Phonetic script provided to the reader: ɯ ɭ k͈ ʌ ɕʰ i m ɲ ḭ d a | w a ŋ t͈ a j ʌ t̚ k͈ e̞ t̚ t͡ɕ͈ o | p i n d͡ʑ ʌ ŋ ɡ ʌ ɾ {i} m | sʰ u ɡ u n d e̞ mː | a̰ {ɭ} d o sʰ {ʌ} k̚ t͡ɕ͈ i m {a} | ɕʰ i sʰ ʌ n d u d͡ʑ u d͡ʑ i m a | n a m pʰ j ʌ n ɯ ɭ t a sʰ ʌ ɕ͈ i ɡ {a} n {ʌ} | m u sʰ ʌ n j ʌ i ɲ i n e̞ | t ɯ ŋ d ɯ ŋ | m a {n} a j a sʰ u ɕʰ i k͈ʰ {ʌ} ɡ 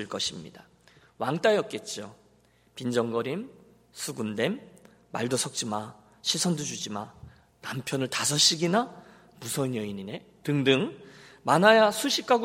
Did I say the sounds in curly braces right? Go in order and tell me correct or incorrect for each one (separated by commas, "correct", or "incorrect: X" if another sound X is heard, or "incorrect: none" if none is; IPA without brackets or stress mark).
correct, correct, correct, correct, incorrect: i, incorrect: a, correct, incorrect: a